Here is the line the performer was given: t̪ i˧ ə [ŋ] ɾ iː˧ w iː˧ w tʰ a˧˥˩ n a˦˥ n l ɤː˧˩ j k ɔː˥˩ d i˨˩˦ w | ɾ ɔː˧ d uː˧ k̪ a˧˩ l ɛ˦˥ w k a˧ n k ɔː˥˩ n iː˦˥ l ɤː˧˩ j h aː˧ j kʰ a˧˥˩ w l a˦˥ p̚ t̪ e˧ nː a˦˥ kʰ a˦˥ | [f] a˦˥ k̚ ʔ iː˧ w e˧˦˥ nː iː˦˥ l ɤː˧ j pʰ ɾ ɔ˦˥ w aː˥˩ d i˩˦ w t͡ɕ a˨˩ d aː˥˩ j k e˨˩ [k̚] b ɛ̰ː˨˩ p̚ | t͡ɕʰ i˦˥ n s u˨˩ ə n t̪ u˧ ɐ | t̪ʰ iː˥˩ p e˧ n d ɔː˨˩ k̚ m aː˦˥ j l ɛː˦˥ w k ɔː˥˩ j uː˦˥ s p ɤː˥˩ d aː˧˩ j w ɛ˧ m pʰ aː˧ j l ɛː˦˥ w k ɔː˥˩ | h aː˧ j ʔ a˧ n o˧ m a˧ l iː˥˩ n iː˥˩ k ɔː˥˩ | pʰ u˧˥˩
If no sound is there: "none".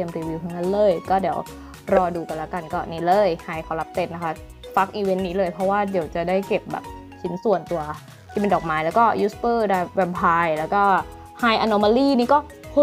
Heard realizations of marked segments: m, f, p̚

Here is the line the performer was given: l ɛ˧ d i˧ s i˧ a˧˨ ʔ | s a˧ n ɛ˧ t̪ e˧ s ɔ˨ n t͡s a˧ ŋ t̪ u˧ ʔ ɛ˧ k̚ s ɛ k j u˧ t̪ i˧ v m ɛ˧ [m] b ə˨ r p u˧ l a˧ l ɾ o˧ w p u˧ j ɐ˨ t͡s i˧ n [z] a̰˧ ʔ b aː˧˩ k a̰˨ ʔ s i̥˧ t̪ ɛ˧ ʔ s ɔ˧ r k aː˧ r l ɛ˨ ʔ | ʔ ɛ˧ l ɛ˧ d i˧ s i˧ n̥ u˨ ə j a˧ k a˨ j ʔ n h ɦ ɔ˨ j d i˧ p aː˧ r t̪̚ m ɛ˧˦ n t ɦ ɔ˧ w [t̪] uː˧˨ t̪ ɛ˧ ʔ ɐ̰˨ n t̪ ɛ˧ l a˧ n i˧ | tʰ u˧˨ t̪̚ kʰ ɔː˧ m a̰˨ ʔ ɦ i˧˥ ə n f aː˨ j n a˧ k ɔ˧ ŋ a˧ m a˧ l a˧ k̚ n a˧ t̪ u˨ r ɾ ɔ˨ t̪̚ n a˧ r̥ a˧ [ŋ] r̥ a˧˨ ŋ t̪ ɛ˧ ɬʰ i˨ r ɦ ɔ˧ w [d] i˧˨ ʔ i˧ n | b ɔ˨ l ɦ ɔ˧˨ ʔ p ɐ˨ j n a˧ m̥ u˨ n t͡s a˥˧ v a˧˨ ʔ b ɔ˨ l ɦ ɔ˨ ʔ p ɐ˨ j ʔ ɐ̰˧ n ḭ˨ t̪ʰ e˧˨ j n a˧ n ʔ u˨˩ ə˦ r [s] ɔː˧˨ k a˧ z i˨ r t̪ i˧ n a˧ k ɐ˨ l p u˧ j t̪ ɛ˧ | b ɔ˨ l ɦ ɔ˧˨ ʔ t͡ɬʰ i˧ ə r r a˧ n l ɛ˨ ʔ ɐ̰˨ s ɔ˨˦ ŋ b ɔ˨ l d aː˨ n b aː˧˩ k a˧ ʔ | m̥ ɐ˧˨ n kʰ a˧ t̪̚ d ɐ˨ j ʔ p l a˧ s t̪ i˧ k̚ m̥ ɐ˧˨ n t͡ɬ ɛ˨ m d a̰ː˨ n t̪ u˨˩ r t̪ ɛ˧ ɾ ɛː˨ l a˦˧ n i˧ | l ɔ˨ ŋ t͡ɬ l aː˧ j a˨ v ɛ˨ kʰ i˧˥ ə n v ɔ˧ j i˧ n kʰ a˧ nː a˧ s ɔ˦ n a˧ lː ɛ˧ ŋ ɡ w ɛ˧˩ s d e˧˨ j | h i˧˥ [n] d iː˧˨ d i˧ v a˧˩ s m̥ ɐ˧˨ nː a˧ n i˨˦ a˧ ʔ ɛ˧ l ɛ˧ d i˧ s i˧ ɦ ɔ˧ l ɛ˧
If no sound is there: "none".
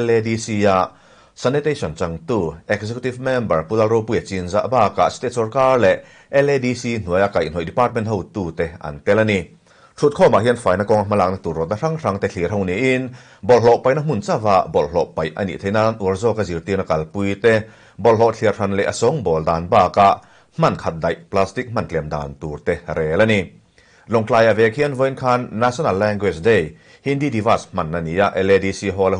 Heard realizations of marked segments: m, z, t̪, ŋ, n, z, n

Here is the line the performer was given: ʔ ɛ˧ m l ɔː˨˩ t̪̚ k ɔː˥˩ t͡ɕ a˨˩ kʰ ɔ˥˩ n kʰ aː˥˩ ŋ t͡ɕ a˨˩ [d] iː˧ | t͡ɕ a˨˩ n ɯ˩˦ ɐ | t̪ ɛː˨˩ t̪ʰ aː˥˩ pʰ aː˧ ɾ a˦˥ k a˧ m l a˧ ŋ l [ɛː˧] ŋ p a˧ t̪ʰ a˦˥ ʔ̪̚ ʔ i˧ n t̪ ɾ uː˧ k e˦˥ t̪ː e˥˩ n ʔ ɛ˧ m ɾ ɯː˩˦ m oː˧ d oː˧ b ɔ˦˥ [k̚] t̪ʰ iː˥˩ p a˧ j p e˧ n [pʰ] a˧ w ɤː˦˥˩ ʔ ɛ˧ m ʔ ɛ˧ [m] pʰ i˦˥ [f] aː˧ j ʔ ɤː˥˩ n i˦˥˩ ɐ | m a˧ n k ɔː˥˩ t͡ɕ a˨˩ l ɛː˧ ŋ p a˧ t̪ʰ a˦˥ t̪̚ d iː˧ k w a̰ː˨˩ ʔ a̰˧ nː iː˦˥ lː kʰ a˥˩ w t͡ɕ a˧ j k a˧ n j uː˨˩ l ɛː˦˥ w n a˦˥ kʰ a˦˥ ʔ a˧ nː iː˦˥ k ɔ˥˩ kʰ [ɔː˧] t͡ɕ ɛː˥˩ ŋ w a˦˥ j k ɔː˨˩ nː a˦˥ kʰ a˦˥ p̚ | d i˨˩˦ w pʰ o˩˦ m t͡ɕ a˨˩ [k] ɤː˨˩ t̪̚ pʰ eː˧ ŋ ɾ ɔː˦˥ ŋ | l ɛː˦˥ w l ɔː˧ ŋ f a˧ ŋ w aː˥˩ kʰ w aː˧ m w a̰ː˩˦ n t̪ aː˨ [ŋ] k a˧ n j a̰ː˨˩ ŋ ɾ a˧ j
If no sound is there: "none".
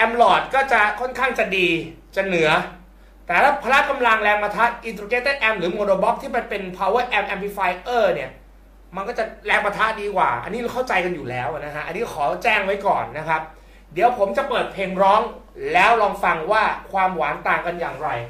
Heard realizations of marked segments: d, ɛː˧, p̚, pʰ, m, f, ɔː˩˦, p, ŋ

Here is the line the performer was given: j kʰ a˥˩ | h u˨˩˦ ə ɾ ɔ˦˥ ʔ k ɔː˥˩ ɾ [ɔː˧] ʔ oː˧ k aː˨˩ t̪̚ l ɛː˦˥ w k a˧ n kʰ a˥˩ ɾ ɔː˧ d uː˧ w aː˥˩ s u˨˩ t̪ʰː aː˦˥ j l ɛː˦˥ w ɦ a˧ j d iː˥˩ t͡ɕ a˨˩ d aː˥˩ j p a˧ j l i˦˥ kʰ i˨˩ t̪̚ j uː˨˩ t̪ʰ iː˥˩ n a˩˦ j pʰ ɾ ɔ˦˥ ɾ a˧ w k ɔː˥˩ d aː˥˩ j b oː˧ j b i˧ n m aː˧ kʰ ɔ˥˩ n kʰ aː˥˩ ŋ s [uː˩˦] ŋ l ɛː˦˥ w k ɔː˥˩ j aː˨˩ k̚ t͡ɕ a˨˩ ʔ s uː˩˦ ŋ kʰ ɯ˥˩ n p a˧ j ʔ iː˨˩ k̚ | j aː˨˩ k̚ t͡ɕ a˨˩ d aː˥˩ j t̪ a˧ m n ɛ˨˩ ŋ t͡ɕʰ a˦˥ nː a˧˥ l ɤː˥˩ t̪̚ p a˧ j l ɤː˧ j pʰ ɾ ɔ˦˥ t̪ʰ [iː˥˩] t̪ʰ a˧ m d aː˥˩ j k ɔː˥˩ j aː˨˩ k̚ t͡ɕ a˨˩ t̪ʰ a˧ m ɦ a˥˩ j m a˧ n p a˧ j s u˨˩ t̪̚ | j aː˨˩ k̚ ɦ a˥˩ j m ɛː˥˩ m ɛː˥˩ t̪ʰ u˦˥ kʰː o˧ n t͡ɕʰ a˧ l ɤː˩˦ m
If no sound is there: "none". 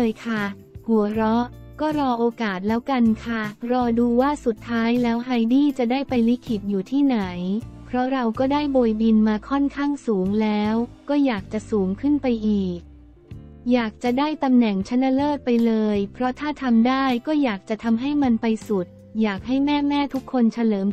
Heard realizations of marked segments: ɔː˧, uː˩˦, aː˥˩

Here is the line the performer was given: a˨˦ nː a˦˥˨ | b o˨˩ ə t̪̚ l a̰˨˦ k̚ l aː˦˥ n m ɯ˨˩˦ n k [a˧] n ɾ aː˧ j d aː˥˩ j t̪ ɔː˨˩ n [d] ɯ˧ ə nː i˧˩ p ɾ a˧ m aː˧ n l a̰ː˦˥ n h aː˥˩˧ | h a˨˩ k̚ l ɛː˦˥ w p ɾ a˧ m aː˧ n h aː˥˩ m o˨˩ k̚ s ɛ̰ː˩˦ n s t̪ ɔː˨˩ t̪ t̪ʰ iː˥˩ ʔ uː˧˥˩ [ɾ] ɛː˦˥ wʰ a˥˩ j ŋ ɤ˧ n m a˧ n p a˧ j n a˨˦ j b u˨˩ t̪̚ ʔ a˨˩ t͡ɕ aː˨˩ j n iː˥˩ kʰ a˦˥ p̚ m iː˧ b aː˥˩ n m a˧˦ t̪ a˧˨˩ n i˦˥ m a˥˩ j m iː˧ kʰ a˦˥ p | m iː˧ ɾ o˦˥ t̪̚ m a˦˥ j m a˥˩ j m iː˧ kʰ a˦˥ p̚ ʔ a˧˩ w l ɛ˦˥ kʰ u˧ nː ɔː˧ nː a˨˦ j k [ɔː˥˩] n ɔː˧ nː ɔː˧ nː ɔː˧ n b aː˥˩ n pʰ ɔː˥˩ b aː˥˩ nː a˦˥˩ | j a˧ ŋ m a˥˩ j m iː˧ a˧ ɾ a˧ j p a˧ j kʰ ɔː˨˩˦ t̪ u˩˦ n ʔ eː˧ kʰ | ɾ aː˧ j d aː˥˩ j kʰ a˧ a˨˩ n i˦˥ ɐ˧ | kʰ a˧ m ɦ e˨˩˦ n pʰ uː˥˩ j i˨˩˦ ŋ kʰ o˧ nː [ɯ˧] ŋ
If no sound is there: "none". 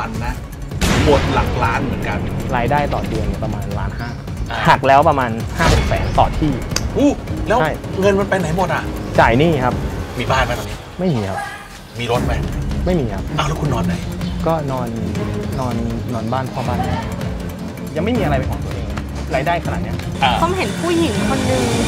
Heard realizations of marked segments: a˧, d, l, ɔː˥˩, ɯ˧

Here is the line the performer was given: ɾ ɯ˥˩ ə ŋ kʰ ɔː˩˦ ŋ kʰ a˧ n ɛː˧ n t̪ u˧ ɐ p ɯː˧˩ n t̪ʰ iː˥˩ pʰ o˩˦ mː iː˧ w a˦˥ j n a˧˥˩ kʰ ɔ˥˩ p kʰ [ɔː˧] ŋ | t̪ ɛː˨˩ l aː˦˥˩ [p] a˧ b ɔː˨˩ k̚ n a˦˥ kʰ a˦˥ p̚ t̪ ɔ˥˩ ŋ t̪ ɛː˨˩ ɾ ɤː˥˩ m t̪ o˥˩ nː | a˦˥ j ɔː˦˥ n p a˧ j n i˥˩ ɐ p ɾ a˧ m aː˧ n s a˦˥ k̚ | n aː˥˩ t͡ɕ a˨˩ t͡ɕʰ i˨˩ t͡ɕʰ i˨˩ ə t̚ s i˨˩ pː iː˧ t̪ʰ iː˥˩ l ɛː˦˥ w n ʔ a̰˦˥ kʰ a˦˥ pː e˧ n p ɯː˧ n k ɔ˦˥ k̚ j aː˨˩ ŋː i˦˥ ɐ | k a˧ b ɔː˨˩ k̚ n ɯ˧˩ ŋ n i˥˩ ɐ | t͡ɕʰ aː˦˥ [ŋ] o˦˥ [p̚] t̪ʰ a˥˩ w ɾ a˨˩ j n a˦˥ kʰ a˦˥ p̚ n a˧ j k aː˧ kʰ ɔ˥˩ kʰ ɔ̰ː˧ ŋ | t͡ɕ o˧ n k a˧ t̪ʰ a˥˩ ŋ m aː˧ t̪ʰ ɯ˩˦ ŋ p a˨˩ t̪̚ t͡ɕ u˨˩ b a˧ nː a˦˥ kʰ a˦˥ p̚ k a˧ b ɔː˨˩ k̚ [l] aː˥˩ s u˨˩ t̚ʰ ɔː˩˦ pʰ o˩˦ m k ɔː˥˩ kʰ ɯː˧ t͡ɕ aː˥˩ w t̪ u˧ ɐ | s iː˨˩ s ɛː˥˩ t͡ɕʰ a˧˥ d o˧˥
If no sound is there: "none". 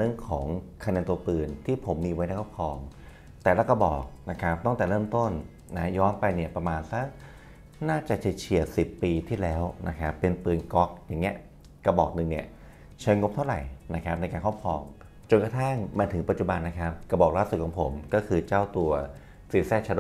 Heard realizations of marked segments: ɔː˧, k, ŋ, p̚, l

